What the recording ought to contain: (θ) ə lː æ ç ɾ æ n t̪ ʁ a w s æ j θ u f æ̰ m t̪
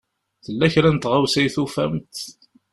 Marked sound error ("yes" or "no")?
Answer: no